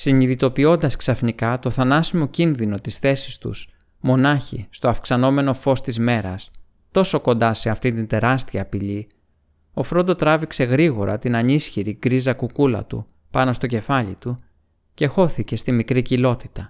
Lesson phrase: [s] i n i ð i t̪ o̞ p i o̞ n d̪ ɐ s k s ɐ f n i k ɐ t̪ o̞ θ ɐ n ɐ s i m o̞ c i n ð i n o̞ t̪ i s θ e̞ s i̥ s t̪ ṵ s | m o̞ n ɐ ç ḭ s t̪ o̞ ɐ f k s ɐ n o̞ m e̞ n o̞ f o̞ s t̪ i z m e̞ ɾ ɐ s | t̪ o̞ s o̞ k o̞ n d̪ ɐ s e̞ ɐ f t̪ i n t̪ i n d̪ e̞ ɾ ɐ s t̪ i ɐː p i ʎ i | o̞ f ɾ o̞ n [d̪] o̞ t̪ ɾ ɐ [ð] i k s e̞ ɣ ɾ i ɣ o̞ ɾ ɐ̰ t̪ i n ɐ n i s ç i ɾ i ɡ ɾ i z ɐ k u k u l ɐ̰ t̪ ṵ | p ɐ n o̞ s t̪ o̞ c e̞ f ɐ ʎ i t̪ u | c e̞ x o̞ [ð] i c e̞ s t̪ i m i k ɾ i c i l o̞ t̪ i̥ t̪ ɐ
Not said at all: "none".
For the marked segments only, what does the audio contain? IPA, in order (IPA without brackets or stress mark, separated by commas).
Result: s, d̪, v, θ